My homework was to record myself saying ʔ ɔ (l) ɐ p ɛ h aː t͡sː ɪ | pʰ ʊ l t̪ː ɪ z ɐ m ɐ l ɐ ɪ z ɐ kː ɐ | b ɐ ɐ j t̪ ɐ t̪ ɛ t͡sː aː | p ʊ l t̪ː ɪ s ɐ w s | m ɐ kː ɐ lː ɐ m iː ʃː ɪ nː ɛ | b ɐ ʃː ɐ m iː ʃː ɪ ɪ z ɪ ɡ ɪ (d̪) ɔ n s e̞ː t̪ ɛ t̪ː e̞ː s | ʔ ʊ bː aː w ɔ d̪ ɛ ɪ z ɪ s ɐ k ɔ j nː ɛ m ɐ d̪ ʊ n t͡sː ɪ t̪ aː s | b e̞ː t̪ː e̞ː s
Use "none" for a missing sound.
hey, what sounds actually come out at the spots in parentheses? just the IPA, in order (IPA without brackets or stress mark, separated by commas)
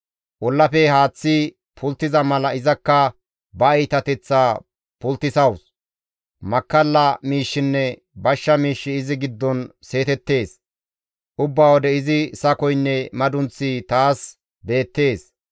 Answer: lː, d̪ː